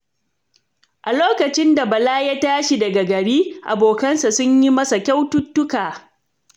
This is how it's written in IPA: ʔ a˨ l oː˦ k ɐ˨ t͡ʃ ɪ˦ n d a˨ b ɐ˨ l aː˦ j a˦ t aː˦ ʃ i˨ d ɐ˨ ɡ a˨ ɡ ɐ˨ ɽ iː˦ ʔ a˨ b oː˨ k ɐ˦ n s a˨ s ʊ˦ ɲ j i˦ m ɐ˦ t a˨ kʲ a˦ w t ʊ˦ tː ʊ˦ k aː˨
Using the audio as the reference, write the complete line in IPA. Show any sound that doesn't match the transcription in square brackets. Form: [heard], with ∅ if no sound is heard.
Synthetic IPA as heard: ʔ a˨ l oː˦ k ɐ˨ t͡ʃ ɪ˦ n d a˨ b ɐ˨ l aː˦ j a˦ t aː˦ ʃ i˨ d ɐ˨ ɡ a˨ ɡ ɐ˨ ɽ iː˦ ʔ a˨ b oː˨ k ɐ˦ n s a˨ s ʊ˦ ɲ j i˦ m ɐ˦ [s] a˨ kʲ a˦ w t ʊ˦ tː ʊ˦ k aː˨